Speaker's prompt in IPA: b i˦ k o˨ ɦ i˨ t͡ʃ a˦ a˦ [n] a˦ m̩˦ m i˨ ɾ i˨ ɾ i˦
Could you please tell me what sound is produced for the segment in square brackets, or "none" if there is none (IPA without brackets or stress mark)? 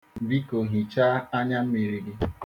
ɲ